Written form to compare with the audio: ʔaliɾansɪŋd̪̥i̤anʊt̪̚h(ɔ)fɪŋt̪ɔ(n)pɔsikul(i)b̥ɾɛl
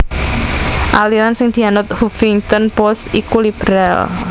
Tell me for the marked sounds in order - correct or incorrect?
incorrect: u, correct, correct

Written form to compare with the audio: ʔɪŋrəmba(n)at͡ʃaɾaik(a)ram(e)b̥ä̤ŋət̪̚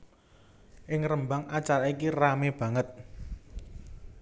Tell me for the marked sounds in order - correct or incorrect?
incorrect: ŋ, incorrect: i, correct

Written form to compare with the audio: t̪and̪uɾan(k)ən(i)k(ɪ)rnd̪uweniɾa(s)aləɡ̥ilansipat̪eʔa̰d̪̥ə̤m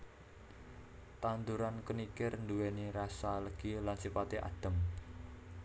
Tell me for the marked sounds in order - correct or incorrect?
correct, correct, correct, correct

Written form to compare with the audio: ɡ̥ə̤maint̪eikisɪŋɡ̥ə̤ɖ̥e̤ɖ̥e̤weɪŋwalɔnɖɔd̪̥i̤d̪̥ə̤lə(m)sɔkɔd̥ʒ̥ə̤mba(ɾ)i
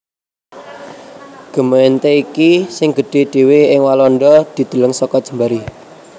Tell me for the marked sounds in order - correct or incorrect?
incorrect: ŋ, correct

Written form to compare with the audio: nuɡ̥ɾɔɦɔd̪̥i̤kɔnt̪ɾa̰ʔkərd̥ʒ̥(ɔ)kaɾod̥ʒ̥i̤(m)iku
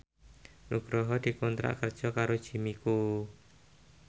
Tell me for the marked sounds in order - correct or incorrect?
correct, correct

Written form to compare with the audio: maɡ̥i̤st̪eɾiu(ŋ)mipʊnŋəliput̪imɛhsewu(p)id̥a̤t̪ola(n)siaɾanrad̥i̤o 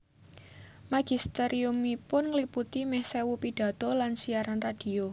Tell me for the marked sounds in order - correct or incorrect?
incorrect: none, correct, correct

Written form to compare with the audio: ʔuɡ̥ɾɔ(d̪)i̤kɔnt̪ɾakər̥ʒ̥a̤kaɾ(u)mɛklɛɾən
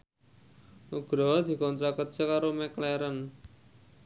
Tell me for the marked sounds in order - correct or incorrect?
correct, incorrect: o

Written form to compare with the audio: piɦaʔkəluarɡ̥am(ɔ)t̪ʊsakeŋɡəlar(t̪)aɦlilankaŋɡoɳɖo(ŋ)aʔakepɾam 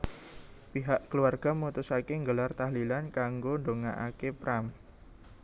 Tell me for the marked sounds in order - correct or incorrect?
incorrect: u, correct, correct

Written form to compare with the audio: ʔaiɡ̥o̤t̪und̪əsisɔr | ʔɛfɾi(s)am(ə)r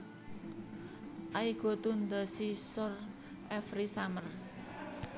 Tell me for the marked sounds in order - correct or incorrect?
correct, correct

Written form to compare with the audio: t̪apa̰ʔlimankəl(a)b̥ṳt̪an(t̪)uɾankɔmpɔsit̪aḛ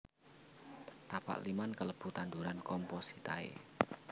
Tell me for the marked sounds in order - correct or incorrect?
incorrect: ə, incorrect: d̪

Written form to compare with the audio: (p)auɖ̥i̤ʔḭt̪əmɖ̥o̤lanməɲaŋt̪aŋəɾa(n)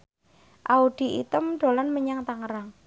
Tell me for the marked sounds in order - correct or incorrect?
incorrect: ʔ, incorrect: ŋ

